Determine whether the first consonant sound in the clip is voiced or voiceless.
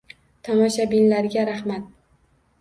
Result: voiceless